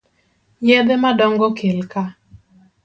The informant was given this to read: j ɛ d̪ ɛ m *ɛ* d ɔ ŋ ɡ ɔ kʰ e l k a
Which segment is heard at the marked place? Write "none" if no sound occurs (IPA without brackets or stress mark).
a